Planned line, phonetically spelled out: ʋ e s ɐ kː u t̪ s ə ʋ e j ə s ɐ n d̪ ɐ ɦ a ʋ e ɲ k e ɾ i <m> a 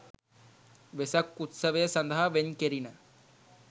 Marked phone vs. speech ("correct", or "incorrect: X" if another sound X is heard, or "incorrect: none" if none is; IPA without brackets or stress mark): incorrect: n